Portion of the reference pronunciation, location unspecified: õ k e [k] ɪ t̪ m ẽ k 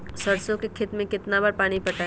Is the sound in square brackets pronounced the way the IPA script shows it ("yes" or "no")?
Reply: no